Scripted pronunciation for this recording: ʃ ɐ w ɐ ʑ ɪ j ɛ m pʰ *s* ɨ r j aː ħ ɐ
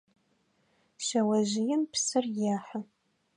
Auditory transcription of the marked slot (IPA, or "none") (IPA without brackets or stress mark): s